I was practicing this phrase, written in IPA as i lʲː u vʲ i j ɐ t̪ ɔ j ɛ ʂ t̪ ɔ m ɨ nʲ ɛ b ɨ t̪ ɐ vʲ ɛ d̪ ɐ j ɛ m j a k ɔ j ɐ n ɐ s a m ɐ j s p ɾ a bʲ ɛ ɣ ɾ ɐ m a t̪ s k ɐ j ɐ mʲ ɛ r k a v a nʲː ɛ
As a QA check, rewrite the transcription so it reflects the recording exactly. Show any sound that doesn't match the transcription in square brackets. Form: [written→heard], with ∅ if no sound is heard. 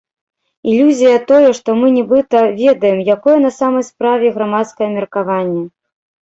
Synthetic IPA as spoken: i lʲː u [vʲ→zʲ] i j ɐ t̪ ɔ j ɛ ʂ t̪ ɔ m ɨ nʲ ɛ b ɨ t̪ ɐ vʲ ɛ d̪ ɐ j ɛ m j a k ɔ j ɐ n ɐ s a m ɐ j s p ɾ a [bʲ→vʲ] ɛ ɣ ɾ [ɐ→a] m a t̪ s k ɐ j ɐ mʲ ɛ r k a v a nʲː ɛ